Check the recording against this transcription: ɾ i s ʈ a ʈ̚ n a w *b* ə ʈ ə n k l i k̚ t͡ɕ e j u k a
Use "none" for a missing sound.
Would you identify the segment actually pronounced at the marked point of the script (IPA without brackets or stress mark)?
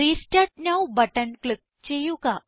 b